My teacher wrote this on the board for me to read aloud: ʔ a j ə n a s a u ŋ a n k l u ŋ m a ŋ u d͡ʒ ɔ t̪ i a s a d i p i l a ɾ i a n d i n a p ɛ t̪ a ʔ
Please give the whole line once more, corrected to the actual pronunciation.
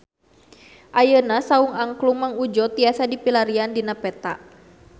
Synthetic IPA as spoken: ʔ a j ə n a s a u ŋ a ŋ k l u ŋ m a ŋ u d͡ʒ ɔ t̪ i a s a d i p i l a ɾ i a n d i n a p ɛ t̪ a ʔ